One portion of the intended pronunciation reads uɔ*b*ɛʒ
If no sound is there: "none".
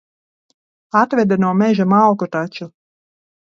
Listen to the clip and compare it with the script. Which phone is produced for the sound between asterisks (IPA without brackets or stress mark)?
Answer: m